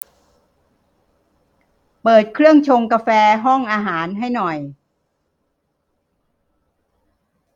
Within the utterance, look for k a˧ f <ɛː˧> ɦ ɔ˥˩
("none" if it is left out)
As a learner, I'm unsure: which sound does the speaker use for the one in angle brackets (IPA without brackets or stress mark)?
ɛː˧